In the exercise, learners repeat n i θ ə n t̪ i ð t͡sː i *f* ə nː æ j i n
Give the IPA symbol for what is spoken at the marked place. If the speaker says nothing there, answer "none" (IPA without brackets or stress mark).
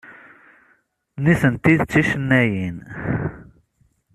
ʃ